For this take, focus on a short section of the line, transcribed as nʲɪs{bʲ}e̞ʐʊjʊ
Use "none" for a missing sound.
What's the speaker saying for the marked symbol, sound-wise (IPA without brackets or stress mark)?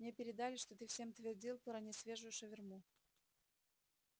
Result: vʲ